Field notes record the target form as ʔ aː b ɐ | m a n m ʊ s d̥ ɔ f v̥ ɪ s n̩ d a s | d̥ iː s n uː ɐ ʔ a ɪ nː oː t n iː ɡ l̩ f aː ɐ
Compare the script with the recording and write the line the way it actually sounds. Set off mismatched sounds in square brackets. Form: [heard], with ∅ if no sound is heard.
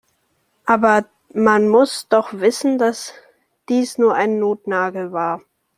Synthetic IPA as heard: ʔ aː b ɐ | m a n m ʊ s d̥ ɔ [χ] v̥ ɪ s n̩ d a s | d̥ iː s n uː ɐ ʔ a ɪ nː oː t n [aː] ɡ l̩ [v] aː ɐ